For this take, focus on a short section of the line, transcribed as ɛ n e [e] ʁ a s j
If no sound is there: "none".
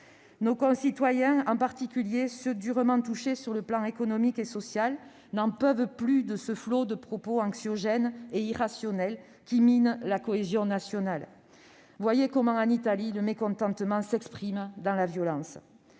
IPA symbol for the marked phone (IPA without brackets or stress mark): i